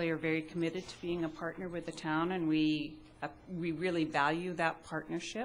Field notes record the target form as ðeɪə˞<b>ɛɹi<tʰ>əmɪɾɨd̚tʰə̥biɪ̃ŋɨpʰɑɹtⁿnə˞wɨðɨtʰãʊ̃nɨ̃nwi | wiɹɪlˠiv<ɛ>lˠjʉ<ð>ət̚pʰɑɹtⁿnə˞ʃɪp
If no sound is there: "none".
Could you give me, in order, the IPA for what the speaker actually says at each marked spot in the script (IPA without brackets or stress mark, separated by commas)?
v, kʰ, æ, ð